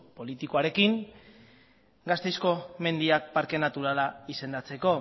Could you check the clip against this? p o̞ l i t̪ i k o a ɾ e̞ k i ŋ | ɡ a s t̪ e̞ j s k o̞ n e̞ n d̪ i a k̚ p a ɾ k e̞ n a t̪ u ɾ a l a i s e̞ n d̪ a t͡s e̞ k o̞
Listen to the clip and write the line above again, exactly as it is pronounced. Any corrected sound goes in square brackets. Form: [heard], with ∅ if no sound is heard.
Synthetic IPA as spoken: p o̞ l i t̪ i k o a ɾ e̞ k i ŋ | ɡ a s t̪ e̞ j s k o̞ [m] e̞ n d̪ i a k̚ p a ɾ k e̞ n a t̪ u ɾ a l a i s e̞ n d̪ a t͡s e̞ k o̞